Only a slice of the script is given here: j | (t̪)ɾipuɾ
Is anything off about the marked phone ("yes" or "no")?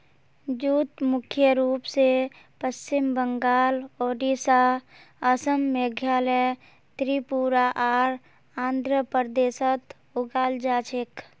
no